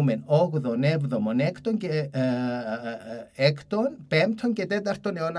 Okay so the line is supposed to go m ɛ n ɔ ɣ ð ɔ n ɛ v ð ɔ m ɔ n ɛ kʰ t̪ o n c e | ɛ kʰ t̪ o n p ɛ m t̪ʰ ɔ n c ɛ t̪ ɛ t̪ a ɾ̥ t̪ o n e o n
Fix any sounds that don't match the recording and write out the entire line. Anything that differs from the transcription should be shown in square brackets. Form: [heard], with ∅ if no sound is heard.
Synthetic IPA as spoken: m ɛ n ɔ ɣ ð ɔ n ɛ v ð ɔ m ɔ n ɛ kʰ t̪ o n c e | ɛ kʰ t̪ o n p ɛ m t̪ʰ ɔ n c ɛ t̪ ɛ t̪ a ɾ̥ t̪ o n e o n